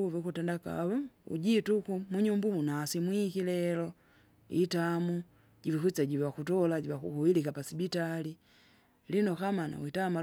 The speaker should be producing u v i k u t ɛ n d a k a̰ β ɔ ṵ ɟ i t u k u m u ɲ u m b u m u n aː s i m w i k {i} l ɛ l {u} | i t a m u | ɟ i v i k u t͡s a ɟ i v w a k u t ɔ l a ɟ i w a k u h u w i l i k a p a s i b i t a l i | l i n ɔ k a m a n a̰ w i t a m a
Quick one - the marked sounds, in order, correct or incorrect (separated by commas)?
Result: correct, incorrect